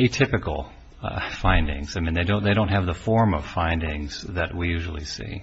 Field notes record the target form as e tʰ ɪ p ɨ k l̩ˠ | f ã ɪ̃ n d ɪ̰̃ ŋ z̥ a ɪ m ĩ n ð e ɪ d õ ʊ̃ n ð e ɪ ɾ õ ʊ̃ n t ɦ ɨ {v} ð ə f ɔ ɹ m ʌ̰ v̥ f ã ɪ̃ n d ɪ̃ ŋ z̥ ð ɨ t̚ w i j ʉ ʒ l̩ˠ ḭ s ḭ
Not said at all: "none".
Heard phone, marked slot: v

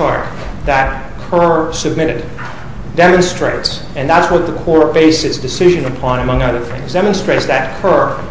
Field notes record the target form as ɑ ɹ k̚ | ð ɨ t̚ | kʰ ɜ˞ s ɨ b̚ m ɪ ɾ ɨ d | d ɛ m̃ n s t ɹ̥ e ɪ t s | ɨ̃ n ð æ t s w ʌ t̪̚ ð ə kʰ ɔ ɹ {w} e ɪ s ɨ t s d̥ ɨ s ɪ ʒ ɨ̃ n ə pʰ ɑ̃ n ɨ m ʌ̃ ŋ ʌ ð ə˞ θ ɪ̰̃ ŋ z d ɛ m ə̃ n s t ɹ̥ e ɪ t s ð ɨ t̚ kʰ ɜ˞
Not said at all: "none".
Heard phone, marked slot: b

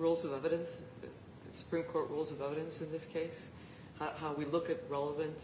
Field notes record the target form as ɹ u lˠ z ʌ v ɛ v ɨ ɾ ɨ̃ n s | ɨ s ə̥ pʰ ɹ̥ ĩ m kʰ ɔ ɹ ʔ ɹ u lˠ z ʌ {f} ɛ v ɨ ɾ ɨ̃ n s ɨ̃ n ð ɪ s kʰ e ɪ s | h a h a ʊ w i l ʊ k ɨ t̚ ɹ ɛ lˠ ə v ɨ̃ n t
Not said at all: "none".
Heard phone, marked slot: v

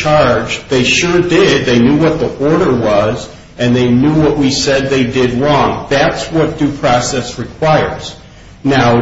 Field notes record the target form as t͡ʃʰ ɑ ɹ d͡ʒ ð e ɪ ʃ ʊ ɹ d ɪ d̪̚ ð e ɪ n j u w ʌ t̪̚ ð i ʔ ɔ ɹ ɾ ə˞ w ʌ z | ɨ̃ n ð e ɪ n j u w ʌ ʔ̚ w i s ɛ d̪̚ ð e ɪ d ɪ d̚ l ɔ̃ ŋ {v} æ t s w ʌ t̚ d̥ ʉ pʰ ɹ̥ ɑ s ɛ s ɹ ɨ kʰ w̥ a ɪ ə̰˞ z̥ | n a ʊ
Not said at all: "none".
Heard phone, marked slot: ð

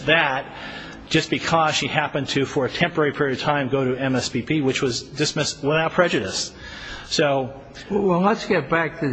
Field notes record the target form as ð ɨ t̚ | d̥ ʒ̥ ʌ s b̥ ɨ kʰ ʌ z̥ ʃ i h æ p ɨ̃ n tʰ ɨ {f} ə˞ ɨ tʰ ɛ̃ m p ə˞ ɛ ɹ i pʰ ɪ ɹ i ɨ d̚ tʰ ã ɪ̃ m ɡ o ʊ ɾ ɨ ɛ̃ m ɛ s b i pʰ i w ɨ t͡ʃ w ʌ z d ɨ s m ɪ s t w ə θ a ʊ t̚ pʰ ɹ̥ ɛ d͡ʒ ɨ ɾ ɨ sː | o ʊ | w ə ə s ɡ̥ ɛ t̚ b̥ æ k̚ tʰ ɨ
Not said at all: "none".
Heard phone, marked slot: f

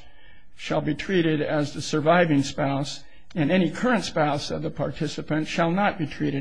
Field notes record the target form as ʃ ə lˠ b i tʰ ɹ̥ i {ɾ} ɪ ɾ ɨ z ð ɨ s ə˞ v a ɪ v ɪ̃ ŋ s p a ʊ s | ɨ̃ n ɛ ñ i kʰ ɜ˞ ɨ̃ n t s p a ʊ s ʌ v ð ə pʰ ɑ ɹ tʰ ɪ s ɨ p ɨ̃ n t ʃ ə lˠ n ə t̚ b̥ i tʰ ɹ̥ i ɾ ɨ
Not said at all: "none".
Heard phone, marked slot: ɾ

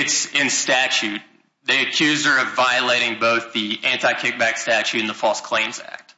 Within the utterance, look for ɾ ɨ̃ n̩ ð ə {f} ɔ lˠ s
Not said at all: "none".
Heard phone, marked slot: f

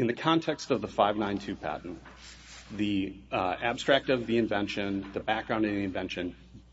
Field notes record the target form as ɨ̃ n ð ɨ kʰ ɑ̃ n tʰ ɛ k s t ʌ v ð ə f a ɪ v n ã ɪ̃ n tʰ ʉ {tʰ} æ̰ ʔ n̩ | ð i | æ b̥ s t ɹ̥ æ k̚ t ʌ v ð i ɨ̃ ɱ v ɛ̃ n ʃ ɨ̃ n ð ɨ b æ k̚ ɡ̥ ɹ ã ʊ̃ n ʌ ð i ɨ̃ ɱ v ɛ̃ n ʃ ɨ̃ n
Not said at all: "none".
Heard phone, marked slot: pʰ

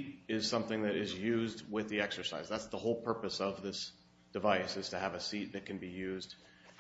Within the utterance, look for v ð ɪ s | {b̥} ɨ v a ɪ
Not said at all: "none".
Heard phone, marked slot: d̥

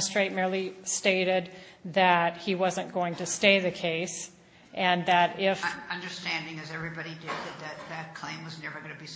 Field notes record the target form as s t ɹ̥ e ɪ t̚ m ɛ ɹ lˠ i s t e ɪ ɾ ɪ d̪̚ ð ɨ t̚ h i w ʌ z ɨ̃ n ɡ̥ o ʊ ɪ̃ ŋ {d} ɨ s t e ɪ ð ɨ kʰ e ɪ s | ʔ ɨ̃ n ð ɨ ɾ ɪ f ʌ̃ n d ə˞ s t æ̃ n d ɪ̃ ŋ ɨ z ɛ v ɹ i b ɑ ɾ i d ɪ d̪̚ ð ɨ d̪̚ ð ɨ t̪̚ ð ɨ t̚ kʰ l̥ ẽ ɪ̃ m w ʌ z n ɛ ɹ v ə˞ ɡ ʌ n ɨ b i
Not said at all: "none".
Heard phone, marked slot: t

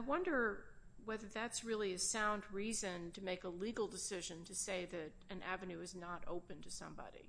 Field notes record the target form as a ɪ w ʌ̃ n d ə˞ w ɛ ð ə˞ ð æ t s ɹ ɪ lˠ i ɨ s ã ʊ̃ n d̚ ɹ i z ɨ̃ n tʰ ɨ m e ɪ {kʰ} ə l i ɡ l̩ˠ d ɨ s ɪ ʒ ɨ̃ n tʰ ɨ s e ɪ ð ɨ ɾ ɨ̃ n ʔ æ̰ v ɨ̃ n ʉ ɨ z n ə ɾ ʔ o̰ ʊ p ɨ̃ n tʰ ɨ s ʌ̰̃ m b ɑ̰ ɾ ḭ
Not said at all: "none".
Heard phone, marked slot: k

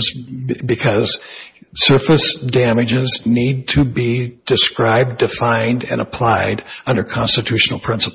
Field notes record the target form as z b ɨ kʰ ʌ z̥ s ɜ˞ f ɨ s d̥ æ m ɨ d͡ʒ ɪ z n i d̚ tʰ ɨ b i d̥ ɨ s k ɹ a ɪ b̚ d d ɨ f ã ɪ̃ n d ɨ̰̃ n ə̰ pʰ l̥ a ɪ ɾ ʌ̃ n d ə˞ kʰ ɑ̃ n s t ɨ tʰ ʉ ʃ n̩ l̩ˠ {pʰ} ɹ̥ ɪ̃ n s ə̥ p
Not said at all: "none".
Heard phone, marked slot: pʰ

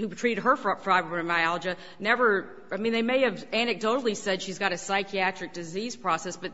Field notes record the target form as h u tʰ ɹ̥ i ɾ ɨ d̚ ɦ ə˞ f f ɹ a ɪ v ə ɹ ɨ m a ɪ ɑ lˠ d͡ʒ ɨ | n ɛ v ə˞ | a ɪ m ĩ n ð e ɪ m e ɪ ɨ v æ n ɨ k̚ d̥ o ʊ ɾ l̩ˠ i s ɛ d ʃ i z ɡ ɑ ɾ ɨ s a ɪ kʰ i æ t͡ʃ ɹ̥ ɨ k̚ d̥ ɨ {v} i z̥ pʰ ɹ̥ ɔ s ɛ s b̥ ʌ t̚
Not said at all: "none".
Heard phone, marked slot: z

